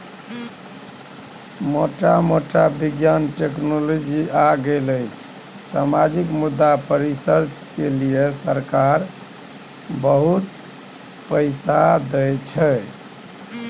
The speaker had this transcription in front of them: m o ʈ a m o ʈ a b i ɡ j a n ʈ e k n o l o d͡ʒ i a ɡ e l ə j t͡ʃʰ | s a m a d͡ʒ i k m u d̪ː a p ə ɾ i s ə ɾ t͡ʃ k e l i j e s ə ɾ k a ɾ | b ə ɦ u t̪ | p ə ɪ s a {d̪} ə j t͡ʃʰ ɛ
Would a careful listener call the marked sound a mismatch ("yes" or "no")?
no